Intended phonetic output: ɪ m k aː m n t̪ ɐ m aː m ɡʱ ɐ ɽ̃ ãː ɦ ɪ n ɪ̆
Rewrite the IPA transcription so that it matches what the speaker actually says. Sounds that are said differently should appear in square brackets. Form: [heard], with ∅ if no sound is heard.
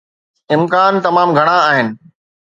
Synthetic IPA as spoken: ɪ m k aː [∅] n t̪ ɐ m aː m ɡʱ ɐ ɽ̃ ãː ɦ ɪ n ɪ̆